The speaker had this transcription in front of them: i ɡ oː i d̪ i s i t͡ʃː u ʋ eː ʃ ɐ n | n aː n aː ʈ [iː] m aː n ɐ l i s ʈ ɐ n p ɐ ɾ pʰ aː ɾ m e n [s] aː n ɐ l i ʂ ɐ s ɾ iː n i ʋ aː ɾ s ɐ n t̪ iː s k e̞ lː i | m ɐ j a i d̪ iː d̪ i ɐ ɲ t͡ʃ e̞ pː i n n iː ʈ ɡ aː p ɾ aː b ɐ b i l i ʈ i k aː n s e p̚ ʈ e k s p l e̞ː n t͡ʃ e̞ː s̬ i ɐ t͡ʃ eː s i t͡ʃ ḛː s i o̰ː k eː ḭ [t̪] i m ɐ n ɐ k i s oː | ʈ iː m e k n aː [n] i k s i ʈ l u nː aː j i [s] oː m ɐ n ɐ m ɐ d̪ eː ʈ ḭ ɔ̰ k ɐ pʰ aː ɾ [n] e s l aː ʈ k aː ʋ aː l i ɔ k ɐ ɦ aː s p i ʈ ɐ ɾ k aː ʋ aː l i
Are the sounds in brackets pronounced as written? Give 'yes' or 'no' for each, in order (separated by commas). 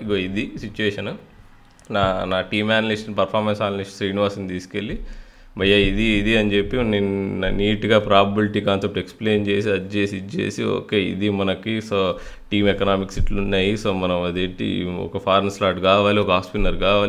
yes, yes, no, no, yes, yes